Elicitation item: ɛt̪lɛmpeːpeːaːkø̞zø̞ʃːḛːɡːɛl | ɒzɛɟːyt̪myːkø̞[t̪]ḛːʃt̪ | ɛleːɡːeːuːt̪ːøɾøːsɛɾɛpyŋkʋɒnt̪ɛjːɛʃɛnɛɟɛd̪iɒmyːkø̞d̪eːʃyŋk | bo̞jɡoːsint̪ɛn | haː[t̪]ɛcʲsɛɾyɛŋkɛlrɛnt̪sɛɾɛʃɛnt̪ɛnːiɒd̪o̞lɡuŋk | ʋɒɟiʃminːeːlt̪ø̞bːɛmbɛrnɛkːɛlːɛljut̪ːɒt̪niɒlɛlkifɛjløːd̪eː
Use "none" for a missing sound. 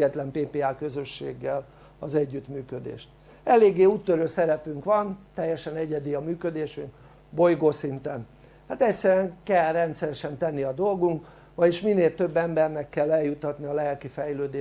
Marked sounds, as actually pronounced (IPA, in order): d̪, t̪

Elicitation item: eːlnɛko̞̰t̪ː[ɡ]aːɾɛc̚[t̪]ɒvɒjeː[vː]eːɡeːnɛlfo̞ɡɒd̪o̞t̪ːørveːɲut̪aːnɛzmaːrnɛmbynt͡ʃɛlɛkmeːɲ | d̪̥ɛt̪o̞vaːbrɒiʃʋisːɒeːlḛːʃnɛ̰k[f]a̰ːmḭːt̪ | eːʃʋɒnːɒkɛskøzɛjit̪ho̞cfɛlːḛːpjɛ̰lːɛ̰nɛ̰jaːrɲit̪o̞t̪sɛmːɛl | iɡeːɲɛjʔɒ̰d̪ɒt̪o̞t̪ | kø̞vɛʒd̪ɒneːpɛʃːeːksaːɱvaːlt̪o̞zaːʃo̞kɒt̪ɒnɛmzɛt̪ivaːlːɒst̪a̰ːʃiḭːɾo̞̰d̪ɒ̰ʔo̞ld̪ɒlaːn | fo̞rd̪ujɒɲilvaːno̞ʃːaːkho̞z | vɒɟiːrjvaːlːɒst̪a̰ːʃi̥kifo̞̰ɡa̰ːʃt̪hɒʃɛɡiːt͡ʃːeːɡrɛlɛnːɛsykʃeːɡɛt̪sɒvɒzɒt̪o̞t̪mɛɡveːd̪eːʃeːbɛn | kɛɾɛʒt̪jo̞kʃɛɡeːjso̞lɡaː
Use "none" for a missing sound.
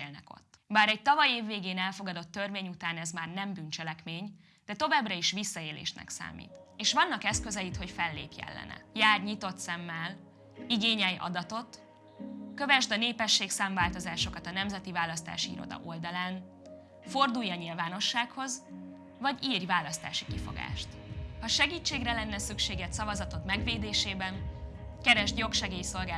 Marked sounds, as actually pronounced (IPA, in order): b, t̪, vː, s

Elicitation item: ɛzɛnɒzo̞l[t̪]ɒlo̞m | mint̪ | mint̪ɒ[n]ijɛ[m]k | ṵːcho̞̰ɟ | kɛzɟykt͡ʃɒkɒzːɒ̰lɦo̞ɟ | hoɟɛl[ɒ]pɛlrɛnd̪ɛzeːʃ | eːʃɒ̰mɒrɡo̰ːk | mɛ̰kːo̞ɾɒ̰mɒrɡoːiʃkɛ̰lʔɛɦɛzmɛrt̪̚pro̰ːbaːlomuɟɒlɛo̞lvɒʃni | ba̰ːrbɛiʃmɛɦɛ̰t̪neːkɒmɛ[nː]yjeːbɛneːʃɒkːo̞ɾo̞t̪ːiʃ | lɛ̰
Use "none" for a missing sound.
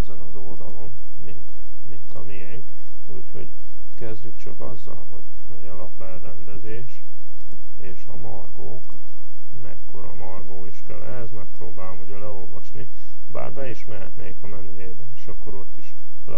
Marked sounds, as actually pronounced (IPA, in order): d̪, m, ŋ, ɒ, n

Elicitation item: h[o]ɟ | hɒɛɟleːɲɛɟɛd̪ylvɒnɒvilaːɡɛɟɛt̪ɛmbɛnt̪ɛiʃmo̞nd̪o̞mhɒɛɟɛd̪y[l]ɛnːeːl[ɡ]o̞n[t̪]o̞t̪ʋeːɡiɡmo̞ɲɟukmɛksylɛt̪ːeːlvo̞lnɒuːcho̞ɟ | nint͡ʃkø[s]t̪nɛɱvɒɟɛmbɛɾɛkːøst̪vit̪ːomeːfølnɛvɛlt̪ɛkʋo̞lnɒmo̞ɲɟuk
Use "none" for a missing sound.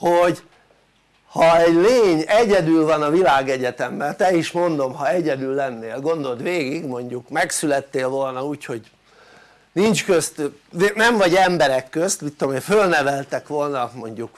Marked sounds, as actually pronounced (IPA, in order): o, lː, ɡ, d̪, s

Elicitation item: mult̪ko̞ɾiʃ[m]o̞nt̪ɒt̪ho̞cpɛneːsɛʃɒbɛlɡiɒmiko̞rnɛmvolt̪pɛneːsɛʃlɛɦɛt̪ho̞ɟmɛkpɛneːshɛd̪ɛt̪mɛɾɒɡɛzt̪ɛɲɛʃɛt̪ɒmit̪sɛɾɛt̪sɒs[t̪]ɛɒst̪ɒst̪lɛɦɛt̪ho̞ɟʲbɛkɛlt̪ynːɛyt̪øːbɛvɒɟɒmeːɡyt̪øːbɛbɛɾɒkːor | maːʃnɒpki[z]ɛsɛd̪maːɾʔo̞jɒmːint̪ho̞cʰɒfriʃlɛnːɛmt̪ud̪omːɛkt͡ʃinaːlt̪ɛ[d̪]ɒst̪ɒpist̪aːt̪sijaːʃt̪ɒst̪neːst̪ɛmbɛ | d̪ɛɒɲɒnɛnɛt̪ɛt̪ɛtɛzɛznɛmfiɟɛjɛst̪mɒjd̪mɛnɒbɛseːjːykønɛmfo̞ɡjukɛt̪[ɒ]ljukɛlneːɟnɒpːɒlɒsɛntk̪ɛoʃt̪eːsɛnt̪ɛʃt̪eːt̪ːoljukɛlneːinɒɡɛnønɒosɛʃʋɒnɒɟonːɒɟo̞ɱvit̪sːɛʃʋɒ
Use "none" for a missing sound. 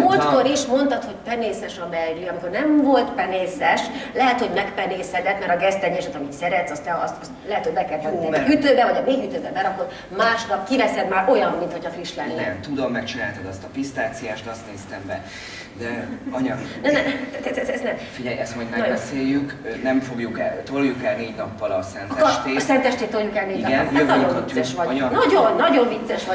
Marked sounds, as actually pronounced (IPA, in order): m, t̪, v, d̪, o

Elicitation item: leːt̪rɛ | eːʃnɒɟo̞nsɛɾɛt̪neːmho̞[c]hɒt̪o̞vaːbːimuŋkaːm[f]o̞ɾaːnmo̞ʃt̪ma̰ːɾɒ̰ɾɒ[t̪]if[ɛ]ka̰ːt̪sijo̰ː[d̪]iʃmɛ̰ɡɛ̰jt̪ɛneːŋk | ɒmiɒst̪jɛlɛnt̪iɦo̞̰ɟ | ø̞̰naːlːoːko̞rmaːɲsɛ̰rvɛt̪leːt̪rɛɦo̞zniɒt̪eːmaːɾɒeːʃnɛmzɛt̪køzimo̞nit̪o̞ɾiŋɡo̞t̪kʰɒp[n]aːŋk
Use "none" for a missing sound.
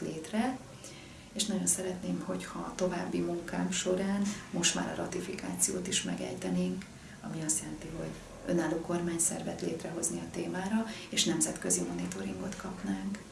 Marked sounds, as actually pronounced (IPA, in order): c, ʃ, t̪, i, t̪, n

